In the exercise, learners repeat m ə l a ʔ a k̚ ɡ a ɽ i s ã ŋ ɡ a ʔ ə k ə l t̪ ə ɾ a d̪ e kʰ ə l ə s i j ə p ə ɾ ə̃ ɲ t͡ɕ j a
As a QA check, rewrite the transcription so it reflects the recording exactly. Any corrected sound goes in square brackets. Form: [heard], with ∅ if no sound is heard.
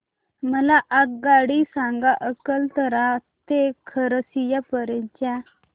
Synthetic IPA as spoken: m ə l a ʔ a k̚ ɡ a ɽ i s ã ŋ ɡ a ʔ ə k ə l t̪ ə ɾ a [t̪] e kʰ ə [ɾ] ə s i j [a] p ə ɾ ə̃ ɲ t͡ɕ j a